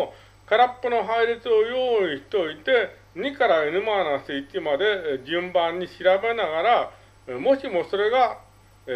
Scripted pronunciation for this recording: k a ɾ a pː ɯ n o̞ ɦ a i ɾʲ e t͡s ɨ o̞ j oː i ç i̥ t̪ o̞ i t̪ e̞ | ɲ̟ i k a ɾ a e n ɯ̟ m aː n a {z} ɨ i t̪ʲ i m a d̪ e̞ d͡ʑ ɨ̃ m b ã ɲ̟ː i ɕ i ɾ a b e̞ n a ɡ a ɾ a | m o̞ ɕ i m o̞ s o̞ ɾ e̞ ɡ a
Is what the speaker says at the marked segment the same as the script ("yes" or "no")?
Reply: no